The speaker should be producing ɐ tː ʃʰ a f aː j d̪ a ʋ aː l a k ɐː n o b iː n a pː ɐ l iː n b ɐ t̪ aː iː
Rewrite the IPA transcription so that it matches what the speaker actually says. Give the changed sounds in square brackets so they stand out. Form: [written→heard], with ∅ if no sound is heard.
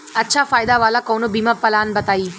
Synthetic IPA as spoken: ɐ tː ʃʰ a f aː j d̪ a ʋ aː l a k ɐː n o b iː [n→m] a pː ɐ l [iː→aː] n b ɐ t̪ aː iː